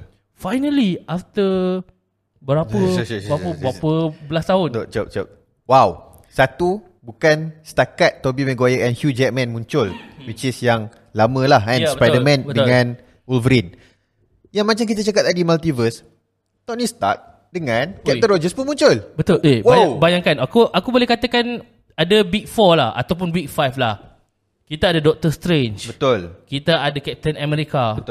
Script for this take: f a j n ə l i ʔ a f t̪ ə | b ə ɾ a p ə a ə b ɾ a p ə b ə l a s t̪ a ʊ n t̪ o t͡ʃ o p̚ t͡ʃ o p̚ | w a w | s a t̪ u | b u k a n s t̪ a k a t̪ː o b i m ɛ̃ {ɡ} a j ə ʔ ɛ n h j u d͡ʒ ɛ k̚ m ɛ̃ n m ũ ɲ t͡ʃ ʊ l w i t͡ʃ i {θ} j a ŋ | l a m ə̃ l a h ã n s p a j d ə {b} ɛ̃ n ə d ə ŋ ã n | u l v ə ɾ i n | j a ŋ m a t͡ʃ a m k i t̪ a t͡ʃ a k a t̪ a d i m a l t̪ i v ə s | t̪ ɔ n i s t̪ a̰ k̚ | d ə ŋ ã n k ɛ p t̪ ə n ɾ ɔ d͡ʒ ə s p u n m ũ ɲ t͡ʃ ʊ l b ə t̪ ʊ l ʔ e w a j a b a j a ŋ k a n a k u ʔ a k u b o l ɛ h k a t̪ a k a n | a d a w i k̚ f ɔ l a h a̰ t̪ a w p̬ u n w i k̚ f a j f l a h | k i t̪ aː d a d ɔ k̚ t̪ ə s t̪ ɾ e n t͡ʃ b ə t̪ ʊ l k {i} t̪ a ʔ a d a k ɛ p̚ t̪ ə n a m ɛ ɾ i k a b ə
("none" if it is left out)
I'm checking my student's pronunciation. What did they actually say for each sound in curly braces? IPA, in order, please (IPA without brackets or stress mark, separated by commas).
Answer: ɡ, s, m, i